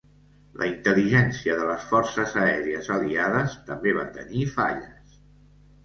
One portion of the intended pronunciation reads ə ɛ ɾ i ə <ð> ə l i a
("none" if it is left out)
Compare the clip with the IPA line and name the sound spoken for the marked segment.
z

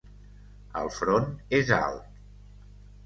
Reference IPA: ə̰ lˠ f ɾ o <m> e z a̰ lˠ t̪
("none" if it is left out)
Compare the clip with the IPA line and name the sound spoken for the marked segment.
n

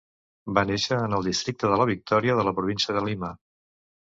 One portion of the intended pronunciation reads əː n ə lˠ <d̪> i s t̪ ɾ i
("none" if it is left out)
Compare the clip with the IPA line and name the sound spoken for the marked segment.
d̪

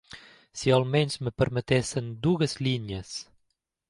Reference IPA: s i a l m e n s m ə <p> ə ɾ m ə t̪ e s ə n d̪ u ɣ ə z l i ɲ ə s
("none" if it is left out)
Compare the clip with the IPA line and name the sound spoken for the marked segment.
p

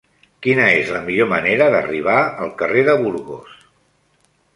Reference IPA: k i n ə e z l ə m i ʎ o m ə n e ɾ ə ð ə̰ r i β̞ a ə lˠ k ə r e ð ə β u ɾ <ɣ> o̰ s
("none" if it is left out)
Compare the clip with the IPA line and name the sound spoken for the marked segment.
ɣ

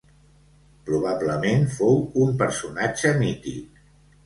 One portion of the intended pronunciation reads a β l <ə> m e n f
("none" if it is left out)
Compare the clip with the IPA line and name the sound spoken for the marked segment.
ə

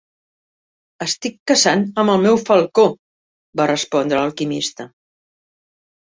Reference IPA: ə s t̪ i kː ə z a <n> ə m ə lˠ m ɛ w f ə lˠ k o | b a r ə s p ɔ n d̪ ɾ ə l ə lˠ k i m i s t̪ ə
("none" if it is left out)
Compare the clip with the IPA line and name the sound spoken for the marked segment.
n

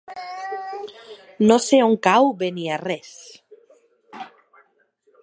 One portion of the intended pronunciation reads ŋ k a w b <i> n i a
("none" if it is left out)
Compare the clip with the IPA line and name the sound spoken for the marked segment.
e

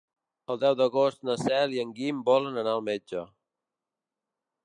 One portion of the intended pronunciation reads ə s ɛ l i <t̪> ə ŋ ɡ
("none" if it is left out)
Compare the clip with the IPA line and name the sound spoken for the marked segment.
none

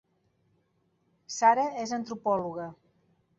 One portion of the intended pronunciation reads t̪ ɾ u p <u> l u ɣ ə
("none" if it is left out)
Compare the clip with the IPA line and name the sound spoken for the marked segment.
ɔ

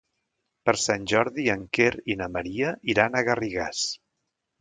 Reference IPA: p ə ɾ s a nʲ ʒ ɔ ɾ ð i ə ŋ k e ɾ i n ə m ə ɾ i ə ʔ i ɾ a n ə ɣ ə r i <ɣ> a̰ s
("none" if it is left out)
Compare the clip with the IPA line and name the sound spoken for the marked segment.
ɣ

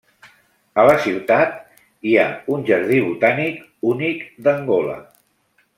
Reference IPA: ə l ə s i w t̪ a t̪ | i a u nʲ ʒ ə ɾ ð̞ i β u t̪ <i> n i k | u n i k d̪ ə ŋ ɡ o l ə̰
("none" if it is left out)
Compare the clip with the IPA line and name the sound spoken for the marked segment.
a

